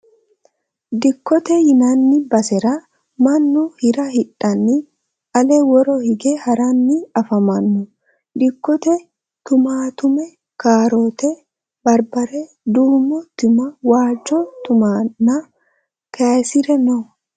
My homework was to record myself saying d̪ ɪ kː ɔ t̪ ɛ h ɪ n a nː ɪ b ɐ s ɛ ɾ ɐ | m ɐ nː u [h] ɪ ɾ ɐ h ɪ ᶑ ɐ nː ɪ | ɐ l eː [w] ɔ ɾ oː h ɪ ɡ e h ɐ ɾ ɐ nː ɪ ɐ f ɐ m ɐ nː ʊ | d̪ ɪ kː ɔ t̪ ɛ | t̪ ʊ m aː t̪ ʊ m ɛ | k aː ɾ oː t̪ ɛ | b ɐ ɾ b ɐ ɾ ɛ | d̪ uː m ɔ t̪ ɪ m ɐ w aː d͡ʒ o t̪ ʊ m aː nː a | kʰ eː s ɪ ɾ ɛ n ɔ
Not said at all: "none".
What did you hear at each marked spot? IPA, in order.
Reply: h, w

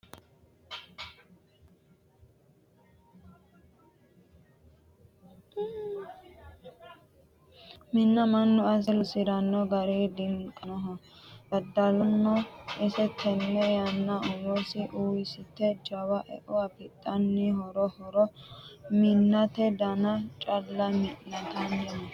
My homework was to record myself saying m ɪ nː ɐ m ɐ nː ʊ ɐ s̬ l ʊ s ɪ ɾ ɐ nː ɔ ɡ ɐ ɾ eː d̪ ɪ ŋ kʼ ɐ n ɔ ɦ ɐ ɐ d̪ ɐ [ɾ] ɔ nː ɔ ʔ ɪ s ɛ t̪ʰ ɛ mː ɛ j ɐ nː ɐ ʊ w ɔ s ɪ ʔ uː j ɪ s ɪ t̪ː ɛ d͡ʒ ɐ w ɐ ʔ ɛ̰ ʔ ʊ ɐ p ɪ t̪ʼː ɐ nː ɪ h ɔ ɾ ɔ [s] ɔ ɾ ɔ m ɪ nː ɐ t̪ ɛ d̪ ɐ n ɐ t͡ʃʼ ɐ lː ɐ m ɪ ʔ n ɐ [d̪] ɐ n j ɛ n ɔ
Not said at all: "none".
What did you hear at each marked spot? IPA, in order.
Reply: l, h, t̪

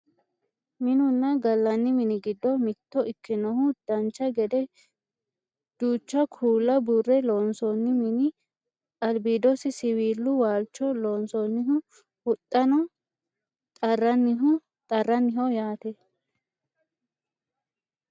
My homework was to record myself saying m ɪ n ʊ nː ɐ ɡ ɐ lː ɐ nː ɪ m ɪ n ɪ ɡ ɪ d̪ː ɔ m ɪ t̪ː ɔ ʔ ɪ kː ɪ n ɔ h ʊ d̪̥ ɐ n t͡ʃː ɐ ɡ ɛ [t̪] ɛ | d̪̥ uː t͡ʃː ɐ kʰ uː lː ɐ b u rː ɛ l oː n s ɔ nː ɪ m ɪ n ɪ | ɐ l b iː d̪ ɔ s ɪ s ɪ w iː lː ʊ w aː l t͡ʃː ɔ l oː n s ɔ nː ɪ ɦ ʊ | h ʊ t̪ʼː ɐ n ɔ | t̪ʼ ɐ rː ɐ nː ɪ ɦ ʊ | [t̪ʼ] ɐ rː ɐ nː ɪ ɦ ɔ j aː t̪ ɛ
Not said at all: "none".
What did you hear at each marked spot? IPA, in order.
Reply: d̪, t̪ʼ

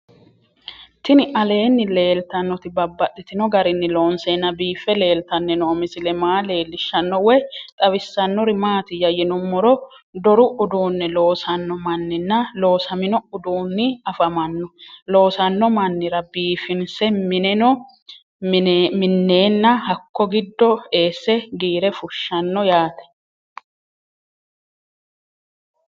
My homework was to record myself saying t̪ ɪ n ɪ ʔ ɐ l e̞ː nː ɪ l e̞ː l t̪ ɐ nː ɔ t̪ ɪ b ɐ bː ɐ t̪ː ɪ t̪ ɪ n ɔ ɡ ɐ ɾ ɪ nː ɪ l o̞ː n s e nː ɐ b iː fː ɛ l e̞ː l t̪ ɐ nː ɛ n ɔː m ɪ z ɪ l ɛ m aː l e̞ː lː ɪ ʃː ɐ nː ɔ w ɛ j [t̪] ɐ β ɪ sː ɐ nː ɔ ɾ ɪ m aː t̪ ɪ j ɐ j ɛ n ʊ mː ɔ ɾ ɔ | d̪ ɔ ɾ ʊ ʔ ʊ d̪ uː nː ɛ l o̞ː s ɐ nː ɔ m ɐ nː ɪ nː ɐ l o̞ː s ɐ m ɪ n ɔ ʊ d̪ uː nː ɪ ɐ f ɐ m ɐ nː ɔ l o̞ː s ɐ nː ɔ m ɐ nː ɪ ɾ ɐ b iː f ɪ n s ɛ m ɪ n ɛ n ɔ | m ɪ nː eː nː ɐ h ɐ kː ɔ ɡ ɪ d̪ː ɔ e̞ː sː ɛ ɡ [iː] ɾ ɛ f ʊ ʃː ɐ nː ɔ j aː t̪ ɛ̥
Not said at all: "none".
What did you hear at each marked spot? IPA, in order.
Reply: t̪ʼ, iː

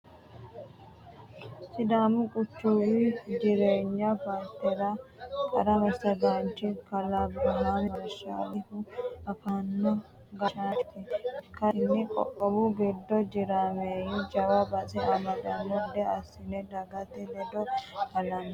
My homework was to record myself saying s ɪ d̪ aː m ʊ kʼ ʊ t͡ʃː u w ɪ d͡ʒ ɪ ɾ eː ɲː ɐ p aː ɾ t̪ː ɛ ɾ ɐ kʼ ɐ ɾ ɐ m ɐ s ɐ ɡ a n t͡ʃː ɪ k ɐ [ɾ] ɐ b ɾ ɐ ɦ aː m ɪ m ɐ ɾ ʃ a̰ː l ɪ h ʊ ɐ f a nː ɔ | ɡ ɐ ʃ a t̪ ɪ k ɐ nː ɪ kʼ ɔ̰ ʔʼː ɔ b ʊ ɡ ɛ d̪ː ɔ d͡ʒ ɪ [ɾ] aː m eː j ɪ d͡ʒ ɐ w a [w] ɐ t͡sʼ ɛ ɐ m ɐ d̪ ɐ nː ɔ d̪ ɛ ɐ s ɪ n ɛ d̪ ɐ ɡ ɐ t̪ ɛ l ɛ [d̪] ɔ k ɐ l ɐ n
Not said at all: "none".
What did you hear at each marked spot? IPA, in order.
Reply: l, ɾ, b, d̪

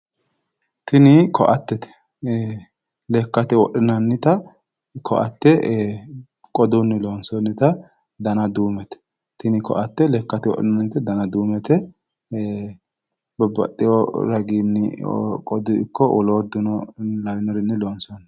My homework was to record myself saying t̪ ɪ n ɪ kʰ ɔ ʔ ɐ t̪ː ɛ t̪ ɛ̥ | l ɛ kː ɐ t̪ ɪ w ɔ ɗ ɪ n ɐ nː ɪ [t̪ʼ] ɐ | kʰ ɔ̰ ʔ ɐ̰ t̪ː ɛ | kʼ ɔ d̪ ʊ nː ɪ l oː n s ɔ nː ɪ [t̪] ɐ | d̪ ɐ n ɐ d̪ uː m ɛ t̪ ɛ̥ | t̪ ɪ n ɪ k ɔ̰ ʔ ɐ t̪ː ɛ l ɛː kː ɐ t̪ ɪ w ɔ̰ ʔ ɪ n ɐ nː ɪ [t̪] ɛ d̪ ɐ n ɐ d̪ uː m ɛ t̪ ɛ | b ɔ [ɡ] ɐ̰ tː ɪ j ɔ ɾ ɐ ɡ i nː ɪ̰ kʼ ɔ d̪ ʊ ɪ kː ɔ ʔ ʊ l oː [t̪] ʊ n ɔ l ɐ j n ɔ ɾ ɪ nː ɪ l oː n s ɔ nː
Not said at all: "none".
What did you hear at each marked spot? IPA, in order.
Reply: t̪, t̪, t̪, b, d̪

